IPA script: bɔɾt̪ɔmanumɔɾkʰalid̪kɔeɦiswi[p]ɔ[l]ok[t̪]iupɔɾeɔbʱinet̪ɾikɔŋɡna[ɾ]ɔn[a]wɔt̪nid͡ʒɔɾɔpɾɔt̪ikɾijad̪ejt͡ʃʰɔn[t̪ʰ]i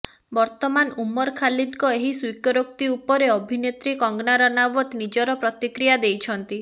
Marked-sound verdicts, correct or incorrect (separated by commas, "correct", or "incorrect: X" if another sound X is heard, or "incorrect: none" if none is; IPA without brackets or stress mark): incorrect: k, incorrect: ɾ, correct, correct, correct, incorrect: t̪